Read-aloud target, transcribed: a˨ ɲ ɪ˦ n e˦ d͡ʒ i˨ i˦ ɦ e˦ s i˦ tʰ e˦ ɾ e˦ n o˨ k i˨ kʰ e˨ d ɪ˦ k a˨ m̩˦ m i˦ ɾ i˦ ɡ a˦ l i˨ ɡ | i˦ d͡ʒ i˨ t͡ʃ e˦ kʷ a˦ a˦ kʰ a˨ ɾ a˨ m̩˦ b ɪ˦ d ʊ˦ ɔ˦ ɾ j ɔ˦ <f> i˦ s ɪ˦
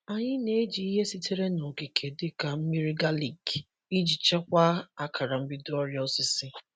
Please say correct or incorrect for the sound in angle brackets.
incorrect